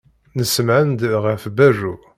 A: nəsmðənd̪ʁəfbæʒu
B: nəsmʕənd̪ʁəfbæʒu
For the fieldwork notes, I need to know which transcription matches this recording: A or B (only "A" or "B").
B